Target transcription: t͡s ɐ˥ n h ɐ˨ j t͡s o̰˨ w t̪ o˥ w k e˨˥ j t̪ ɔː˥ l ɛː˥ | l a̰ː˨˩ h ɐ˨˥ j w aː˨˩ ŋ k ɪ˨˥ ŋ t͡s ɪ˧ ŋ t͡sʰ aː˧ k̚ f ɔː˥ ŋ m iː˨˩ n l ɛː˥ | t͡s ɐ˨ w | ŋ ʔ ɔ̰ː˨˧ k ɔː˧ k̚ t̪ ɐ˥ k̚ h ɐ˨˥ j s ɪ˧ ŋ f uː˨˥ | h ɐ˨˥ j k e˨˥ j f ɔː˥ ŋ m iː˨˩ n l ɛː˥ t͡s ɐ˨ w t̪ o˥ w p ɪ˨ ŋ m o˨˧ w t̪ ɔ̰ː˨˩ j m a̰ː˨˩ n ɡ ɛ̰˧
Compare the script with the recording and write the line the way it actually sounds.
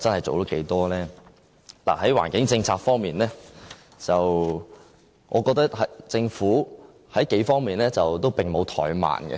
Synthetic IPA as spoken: t͡s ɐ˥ n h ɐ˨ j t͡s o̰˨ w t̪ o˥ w k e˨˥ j t̪ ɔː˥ l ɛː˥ | l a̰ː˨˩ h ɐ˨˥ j w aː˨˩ n k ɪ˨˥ ŋ t͡s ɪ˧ ŋ t͡sʰ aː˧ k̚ f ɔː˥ ŋ m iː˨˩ n l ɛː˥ | t͡s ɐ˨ w | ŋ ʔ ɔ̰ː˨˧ k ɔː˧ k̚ t̪ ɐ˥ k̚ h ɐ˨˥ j t͡s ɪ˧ ŋ f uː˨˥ | h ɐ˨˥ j k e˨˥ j f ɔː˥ ŋ m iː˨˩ n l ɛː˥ t͡s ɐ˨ w t̪ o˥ w p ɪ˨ ŋ m o˨˧ w t̪ʰ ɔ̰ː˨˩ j m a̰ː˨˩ n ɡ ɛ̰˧